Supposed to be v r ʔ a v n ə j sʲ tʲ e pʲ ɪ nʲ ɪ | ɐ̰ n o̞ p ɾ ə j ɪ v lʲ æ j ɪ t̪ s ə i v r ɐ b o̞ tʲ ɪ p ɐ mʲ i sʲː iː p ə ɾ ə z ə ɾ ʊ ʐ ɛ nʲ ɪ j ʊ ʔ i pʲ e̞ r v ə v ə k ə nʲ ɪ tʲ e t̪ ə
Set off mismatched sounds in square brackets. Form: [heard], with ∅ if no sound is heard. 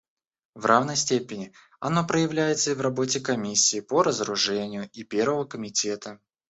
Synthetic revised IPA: v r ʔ a v n ə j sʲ tʲ e pʲ ɪ nʲ ɪ | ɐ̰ n o̞ p ɾ ə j ɪ v lʲ æ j ɪ t̪ s ə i v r ɐ b o̞ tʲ ɪ [k] ɐ mʲ i sʲː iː p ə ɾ ə z ə ɾ ʊ ʐ ɛ nʲ ɪ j ʊ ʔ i pʲ e̞ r v ə v ə k ə [mʲ] ɪ tʲ e t̪ ə